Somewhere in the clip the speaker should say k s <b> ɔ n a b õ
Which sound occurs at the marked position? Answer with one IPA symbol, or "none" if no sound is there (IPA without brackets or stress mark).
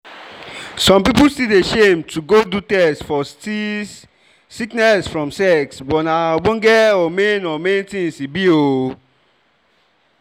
b